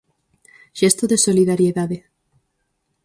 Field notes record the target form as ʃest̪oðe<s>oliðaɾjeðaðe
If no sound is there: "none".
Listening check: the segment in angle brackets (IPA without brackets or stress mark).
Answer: s